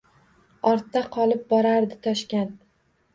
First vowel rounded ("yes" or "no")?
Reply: yes